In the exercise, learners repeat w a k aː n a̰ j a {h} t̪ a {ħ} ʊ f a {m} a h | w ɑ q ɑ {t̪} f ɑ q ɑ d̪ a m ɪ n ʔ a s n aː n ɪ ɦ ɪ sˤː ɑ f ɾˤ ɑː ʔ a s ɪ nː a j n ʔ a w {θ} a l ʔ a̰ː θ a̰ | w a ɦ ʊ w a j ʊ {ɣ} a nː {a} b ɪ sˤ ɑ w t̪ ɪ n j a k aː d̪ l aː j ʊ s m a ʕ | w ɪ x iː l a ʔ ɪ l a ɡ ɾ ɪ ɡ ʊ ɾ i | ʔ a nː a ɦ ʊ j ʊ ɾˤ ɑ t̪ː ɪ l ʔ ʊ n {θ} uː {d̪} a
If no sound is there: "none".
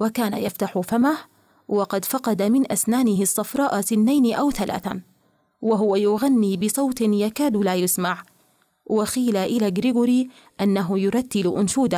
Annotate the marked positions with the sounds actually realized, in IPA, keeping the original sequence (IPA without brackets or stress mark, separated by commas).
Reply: f, ħ, m, d̪, θ, ɣ, i, ʃ, d̪